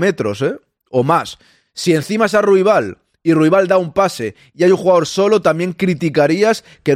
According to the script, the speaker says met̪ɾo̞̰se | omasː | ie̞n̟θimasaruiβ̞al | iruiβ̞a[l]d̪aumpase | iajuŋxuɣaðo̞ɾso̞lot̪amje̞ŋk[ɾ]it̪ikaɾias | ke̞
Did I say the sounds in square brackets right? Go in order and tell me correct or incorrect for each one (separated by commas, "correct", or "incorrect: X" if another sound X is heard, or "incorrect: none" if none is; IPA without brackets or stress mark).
correct, correct